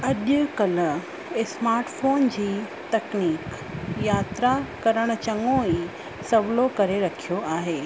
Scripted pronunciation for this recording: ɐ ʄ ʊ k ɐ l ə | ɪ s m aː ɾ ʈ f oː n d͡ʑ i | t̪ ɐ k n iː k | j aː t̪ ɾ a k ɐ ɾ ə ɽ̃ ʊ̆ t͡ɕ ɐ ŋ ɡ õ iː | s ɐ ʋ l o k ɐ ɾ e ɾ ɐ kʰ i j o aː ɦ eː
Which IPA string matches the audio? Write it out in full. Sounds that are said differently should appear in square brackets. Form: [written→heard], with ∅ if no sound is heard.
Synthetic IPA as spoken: ɐ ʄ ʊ k ɐ l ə | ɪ s m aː ɾ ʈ f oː n d͡ʑ [i→iː] | t̪ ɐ k n iː k | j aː t̪ ɾ a k ɐ ɾ ə ɽ̃ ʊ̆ t͡ɕ ɐ ŋ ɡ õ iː | s ɐ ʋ l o k ɐ ɾ e ɾ ɐ kʰ i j o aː ɦ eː